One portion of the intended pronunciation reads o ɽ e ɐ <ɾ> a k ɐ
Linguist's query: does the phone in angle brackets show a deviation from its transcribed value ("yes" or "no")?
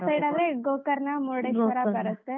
no